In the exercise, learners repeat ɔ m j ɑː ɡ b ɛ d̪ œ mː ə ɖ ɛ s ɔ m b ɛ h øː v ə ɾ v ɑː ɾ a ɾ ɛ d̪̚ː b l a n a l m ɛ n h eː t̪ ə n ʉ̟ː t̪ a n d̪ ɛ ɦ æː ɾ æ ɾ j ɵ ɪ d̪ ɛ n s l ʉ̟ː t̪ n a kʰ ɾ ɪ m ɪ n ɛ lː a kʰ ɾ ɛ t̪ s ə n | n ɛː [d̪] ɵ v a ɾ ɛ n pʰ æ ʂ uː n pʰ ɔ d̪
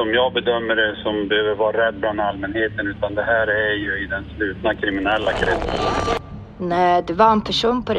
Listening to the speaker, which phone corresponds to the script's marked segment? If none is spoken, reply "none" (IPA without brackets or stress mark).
d̪